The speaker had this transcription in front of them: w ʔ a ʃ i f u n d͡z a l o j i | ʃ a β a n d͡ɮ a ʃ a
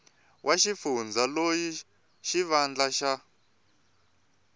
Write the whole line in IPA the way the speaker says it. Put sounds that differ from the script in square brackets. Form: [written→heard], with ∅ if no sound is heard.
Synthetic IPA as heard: w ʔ a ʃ i f u n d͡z a l o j i | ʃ [a→i] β a n d͡ɮ a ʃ a